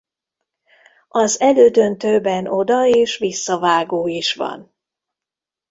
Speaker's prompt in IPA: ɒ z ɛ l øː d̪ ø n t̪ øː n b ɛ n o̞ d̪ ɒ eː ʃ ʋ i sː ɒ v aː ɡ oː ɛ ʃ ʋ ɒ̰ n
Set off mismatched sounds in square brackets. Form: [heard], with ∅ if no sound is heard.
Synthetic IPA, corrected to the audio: ɒ z ɛ l øː d̪ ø n t̪ øː [∅] b ɛ n o̞ d̪ ɒ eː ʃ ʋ i sː ɒ v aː ɡ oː [i] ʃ ʋ ɒ̰ n